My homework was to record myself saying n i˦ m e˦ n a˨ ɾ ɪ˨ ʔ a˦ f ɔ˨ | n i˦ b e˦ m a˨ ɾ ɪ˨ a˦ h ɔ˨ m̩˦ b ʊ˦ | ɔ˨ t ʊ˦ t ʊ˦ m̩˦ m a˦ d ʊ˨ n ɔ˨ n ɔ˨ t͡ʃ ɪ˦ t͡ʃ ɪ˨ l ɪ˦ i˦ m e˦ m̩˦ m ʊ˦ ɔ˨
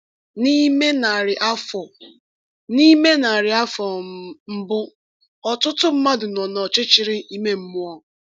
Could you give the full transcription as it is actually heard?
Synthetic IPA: n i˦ m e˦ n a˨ ɾ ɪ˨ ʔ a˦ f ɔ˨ | n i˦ m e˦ n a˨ ɾ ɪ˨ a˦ f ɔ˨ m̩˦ b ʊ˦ | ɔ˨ t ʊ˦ t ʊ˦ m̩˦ m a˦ d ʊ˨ n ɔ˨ n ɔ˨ t͡ʃ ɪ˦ t͡ʃ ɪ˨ ɾ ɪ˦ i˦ m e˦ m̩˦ m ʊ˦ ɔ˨